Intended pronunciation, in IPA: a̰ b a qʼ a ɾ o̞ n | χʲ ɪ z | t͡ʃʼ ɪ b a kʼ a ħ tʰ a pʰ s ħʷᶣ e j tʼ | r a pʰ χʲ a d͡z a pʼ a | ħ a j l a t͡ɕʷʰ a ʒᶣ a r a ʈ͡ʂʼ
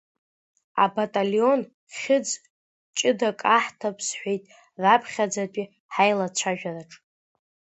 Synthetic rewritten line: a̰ b a tʼ a l o̞ n | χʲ ɪ d͡z | t͡ʃʼ ɪ d a kʼ a ħ tʰ a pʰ s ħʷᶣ e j tʼ | r a pʰ χʲ a d͡z a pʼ i | ħ a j l a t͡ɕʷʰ a ʒᶣ a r a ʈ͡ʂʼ